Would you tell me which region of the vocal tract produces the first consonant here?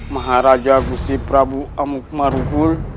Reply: lips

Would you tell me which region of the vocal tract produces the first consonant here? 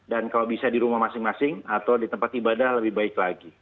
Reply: tongue tip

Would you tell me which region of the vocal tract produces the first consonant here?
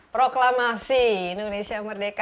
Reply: lips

